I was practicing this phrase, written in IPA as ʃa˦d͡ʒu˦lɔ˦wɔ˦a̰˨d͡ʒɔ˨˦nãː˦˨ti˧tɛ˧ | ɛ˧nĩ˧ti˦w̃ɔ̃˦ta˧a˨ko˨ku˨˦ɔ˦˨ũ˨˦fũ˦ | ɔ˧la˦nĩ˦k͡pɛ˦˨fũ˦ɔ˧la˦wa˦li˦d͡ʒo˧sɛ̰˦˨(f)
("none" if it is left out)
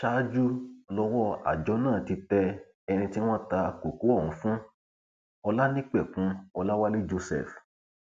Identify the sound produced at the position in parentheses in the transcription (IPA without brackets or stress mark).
f